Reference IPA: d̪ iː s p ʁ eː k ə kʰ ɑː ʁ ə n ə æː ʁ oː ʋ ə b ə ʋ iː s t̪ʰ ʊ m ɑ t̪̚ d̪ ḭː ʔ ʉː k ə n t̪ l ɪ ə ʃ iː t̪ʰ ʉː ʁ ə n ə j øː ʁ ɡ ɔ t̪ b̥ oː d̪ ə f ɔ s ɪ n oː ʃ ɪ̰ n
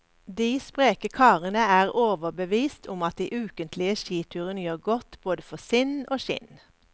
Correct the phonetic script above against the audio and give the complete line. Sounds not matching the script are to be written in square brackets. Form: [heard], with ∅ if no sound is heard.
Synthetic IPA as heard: d̪ iː s p ʁ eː k ə kʰ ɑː ʁ ə n ə æː ʁ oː ʋ ə b ə ʋ iː s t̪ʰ ʊ m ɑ t̪̚ d̪ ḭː ʔ ʉː k ə n t̪ l ɪ ə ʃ iː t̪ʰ ʉː ʁ ə n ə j øː ʁ ɡ ɔ t̪ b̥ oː d̪ ə f ɔ s ɪ n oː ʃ ɪ̰ n